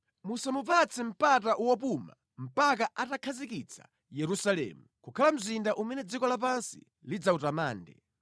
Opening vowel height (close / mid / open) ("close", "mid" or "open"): close